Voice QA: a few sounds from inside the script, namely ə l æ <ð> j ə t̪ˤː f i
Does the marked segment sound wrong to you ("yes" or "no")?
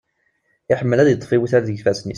no